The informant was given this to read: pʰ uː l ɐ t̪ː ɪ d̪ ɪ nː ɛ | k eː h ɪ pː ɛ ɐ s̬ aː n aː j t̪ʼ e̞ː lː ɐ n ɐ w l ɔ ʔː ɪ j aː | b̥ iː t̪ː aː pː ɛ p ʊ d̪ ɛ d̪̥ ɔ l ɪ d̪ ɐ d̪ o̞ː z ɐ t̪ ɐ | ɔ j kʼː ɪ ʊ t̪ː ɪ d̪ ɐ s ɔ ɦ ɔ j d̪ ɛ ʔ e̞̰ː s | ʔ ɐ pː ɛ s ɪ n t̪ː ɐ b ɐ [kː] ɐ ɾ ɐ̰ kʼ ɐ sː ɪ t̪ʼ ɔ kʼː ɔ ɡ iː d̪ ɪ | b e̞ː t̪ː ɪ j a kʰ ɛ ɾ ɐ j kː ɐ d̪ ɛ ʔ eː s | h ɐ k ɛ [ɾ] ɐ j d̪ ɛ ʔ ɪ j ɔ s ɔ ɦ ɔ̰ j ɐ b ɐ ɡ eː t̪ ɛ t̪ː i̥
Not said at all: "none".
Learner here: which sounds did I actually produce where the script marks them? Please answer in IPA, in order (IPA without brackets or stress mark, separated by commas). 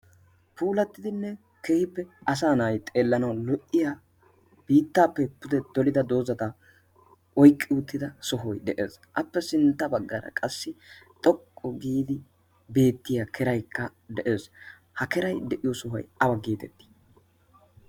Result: ɡː, ɾ